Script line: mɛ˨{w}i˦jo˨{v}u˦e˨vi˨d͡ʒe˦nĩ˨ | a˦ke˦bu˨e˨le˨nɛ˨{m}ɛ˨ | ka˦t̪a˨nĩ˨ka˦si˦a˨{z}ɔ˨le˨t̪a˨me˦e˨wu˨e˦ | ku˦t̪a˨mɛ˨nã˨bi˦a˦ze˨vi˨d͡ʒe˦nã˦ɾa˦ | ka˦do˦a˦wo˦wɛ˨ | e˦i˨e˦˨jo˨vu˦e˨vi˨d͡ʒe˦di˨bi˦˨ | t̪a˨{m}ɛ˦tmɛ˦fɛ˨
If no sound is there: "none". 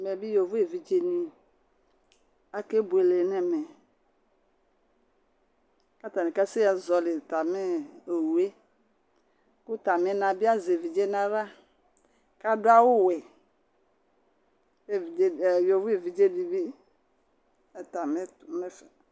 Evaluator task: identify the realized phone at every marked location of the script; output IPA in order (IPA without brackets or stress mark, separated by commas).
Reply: b, v, m, z, m